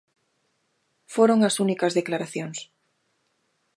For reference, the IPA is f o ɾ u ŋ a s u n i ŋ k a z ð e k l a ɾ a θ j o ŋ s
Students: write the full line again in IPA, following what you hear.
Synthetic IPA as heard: f o ɾ o ŋ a s u n i k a z ð e k l a ɾ a θ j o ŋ s

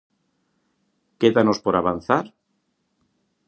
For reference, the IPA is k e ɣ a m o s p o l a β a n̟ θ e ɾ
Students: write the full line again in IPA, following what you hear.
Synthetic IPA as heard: k e ð a n o s p o ɾ a β a n̟ θ a ɾ

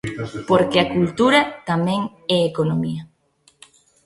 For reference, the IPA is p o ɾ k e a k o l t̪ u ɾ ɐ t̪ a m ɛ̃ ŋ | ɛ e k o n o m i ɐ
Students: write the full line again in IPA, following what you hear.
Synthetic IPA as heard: p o ɾ k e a k u l t̪ u ɾ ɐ t̪ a m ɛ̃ ŋ | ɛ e k o n o m i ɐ

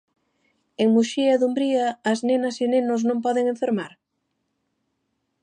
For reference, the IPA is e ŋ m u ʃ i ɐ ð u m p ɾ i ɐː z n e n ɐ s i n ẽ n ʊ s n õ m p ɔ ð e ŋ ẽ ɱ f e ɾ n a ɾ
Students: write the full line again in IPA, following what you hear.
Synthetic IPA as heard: e ŋ m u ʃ i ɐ ð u m b ɾ i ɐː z n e n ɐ s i n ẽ n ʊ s n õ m p ɔ ð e ŋ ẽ ɱ f e ɾ m a ɾ

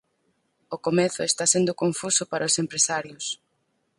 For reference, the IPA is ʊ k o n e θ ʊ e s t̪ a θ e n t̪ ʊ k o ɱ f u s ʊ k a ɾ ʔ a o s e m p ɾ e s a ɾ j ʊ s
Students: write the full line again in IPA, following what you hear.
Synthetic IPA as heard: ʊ k o m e θ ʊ e s t̪ a s e n d̪ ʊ k o ɱ f u s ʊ p a ɾ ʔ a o s e m p ɾ e s a ɾ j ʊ s

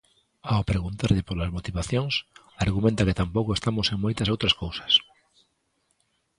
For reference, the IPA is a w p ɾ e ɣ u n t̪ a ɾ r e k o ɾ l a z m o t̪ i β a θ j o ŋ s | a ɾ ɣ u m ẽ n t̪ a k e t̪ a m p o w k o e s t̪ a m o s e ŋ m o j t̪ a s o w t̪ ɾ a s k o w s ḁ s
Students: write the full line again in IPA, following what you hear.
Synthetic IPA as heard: a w p ɾ e ɣ u n t̪ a ɾ ʎ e p o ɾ l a z m o t̪ i β a θ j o ŋ s | a ɾ ɣ u m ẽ n t̪ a k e t̪ a m p o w k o e s t̪ a m o s e ŋ m o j t̪ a s o w t̪ ɾ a s k o w s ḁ s

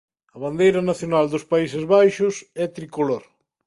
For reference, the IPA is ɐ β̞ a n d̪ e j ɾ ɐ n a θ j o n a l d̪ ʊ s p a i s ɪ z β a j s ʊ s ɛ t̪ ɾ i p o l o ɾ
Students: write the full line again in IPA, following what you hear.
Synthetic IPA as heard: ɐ β̞ a n d̪ e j ɾ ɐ n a θ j o n a l d̪ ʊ s p a i s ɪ z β a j ʃ ʊ s ɛ t̪ ɾ i k o l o ɾ

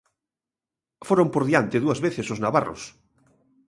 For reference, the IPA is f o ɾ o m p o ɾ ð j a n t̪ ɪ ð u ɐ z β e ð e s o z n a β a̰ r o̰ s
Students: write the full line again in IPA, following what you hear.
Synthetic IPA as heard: f o ɾ o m p o ɾ ð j a n t̪ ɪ ð u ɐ z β e θ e s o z n a β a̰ r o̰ s

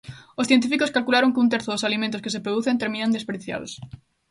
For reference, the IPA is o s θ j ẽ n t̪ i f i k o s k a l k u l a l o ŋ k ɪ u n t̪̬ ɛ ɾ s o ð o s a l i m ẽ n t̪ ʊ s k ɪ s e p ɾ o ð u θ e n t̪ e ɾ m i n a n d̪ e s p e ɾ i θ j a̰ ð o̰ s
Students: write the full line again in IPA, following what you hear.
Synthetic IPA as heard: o s θ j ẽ n t̪ i f i k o s k a l k u l a ɾ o ŋ k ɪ u n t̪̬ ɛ ɾ θ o ð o s a l i m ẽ n t̪ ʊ s k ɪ s e p ɾ o ð u θ e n t̪ e ɾ m i n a n d̪ e s p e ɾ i θ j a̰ ð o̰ s

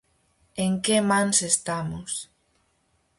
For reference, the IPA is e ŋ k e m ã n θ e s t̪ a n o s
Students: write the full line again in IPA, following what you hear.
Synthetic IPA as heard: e ŋ k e m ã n s e s t̪ a m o s

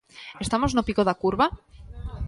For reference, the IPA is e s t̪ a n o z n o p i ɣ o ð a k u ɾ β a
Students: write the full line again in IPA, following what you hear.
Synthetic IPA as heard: e s t̪ a m o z n o p i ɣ o ð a k u ɾ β a

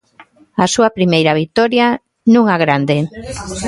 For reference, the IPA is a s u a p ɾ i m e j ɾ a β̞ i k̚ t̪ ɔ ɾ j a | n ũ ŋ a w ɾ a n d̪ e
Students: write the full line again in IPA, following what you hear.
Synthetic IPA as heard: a s u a p ɾ i m e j ɾ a β̞ i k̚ t̪ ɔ ɾ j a | n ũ ŋ a ɣ ɾ a n d̪ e

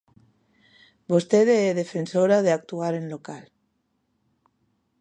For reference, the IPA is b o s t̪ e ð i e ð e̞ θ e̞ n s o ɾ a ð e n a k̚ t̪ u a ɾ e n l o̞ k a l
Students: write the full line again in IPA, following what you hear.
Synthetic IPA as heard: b o s t̪ e ð e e ð e̞ f e̞ n s o ɾ a ð e a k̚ t̪ u a ɾ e n l o̞ k a l

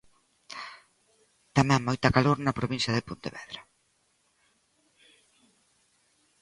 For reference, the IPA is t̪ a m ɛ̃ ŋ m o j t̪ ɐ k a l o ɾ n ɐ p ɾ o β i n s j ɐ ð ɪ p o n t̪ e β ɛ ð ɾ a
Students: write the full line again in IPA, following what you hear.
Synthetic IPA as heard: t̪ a m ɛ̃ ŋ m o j t̪ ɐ k a l o ɾ n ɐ p ɾ o β i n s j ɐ ð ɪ p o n t̪ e β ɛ ð ɾ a

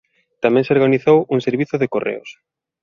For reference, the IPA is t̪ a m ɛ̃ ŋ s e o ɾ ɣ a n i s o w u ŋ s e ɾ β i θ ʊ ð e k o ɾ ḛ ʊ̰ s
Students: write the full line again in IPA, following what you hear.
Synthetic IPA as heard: t̪ a m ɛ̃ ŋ s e o ɾ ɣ a n i θ o w u ŋ s e ɾ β i θ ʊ ð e k o r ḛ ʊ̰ s

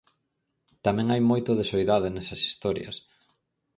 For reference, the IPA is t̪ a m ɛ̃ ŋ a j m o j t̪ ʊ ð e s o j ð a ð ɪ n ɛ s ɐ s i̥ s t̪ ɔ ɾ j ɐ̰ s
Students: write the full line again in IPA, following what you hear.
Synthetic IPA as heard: t̪ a m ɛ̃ ŋ a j m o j t̪ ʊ ð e s o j ð a ð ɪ n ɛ s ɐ s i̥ s t̪ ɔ ɾ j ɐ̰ s

